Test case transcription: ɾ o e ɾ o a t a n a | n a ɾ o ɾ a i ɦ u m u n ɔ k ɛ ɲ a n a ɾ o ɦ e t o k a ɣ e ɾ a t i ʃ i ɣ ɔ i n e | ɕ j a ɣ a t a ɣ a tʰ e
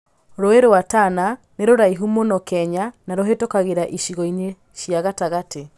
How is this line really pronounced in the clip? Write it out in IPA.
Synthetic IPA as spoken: ɾ o e ɾ o a t a n a | n e ɾ o ɾ a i ɦ u m o n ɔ k ɛ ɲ a n a ɾ o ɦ e t o k a ɣ e ɾ a ʔ i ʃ i ɣ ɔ i n e | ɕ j a ɣ a t a ɣ a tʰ e